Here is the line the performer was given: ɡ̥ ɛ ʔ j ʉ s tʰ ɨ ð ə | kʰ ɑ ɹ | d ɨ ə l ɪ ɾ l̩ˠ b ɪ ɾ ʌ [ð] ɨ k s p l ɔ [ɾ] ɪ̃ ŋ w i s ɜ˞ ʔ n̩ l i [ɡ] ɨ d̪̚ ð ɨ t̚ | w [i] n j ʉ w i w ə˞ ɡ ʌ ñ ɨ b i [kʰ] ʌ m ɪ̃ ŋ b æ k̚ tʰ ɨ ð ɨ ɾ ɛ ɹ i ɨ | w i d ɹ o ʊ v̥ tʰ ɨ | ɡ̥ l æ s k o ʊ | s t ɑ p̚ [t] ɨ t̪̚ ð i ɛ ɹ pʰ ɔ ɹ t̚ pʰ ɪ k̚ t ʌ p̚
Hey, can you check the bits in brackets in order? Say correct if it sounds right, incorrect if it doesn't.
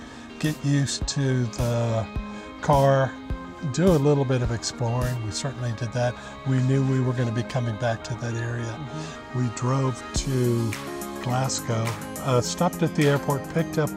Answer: incorrect: v, incorrect: ɹ, incorrect: d, correct, correct, correct

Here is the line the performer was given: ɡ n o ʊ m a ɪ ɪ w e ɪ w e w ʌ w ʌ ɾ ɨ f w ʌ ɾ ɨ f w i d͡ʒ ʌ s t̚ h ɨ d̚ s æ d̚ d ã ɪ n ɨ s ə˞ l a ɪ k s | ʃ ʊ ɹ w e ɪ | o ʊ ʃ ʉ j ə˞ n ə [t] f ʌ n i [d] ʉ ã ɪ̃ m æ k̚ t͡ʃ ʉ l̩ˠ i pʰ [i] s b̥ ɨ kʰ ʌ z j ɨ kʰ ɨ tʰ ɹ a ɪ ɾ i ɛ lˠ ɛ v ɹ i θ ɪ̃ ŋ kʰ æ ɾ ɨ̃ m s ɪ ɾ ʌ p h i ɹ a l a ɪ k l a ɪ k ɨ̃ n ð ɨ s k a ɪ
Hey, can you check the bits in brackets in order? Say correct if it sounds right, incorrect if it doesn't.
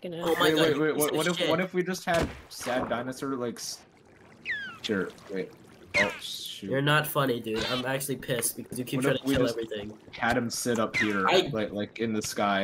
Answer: correct, correct, incorrect: ɪ

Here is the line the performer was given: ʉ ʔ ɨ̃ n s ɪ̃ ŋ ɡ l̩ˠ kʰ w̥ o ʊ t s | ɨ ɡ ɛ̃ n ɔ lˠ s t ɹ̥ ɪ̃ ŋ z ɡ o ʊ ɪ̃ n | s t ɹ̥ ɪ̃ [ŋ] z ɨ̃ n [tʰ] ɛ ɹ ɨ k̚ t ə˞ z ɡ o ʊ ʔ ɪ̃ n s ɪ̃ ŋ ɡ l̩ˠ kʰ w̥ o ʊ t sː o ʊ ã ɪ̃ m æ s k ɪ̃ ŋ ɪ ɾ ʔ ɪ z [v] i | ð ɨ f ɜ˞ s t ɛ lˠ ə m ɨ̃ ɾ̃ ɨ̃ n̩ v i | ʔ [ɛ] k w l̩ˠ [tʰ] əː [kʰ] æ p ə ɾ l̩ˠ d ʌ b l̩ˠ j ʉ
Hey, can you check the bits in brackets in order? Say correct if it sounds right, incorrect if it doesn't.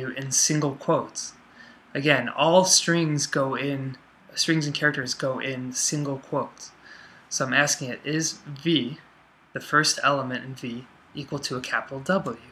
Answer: correct, incorrect: kʰ, correct, incorrect: i, correct, correct

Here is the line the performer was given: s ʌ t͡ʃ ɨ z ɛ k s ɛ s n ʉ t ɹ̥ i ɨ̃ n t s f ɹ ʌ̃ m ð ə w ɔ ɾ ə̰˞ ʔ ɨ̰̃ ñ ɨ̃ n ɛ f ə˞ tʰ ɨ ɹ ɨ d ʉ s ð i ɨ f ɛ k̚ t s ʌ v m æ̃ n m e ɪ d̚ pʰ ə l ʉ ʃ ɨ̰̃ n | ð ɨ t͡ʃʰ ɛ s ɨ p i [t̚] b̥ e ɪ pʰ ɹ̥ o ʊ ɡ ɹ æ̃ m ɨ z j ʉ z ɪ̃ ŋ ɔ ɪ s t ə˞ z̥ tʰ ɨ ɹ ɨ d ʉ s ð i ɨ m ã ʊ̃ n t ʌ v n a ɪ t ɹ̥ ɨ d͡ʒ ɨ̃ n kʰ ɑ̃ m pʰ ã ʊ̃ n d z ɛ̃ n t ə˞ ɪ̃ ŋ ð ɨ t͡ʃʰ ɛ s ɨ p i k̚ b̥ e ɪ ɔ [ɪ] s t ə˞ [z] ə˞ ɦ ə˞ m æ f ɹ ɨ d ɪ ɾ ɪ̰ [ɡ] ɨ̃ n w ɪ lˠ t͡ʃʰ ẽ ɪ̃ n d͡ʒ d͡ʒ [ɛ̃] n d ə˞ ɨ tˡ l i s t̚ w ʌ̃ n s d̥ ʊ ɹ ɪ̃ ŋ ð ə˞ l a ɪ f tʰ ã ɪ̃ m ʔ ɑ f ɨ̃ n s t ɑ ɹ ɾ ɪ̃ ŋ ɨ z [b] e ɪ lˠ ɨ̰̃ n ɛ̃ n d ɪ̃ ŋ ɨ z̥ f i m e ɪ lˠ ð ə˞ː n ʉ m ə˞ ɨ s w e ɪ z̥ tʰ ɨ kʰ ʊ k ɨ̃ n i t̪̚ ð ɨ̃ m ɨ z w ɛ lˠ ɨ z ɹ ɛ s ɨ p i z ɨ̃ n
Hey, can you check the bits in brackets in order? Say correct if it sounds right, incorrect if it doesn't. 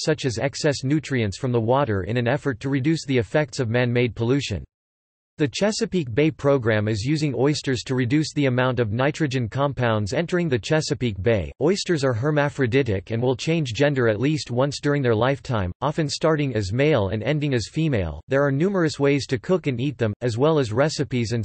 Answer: incorrect: k̚, correct, correct, incorrect: k, correct, incorrect: m

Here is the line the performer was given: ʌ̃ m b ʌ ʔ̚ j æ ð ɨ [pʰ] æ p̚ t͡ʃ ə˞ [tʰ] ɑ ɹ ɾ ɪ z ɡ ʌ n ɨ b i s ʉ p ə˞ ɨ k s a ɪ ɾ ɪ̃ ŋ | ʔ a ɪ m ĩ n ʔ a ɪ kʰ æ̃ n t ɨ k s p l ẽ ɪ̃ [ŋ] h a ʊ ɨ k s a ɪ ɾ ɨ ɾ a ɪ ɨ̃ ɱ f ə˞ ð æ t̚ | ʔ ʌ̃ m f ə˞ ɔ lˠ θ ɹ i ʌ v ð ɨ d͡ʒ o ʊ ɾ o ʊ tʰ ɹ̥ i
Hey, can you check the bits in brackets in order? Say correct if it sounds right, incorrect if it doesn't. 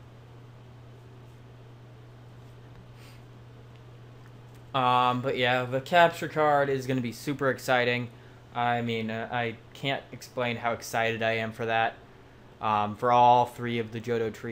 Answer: incorrect: kʰ, incorrect: kʰ, incorrect: n

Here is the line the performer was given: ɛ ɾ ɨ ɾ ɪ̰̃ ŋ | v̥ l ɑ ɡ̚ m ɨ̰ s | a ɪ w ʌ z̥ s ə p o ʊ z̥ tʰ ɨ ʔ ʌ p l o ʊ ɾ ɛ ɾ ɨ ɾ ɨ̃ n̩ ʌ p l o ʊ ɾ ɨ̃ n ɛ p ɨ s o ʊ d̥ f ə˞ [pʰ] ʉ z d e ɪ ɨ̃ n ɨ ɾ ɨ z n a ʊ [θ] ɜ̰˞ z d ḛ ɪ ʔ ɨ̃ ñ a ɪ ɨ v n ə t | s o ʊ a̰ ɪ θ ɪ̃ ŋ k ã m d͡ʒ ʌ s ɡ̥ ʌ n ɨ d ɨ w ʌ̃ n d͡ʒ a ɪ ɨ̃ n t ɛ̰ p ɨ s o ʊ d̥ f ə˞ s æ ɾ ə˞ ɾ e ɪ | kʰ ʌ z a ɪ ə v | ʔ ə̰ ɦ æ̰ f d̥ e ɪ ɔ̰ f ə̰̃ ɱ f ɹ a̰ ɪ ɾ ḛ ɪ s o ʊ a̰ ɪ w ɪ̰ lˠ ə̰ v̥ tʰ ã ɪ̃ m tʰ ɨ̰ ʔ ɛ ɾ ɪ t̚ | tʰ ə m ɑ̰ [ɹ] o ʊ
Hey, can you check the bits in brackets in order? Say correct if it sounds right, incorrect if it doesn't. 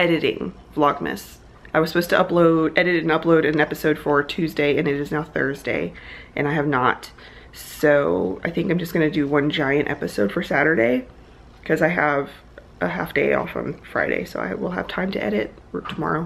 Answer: incorrect: tʰ, correct, correct

